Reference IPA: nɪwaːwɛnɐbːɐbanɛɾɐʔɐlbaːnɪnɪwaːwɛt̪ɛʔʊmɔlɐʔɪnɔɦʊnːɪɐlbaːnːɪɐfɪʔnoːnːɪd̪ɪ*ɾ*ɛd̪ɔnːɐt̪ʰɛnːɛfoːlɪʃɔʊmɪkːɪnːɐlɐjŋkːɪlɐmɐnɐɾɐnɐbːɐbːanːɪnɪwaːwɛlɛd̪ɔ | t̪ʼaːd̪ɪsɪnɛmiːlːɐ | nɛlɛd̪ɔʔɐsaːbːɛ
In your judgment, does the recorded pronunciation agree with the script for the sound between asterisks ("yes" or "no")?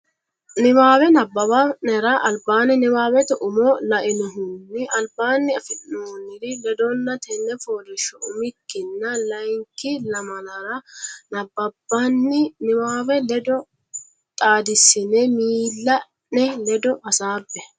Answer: no